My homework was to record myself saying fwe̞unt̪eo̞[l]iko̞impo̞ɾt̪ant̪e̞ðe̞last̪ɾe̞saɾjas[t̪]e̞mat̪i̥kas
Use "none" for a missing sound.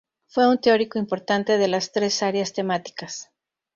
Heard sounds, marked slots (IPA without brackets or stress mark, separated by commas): ɾ, t̪